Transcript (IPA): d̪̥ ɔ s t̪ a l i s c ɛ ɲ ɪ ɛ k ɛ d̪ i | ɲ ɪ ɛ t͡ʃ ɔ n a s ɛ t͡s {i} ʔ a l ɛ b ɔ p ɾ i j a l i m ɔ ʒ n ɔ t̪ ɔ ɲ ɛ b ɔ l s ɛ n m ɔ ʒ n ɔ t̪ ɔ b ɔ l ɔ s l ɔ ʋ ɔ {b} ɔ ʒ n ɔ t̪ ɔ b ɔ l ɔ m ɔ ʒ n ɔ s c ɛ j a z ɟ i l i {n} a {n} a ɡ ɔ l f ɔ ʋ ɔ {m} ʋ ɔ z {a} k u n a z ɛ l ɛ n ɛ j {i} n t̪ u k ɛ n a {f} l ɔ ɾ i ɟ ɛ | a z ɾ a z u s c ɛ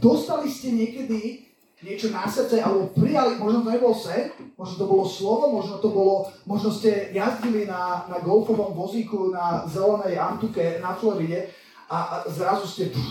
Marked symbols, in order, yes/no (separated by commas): no, no, yes, yes, yes, no, no, yes